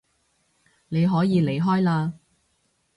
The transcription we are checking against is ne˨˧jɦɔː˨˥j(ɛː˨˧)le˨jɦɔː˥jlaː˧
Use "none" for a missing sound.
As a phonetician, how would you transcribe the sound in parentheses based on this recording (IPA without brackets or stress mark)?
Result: iː˨˧